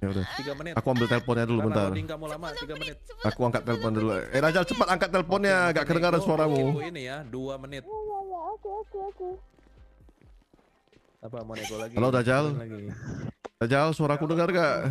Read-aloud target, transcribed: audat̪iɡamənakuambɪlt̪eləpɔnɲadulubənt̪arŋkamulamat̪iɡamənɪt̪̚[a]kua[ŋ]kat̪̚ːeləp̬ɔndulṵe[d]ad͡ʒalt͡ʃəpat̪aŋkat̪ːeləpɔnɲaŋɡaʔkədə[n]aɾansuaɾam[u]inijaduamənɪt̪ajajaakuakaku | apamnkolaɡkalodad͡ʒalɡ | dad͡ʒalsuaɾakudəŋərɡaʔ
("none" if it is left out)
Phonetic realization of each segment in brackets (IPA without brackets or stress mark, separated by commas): a, ŋ, d, ŋ, u